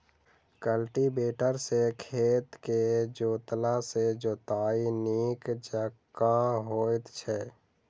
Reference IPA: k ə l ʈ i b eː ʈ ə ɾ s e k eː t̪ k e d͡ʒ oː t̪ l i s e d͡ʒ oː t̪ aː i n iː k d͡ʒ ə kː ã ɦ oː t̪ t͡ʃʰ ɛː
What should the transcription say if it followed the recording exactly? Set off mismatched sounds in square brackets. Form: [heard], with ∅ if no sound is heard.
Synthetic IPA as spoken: k ə l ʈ i b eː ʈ ə ɾ s e [kʰ] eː t̪ k e d͡ʒ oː t̪ l [a] s e d͡ʒ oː t̪ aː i n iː k d͡ʒ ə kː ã ɦ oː t̪ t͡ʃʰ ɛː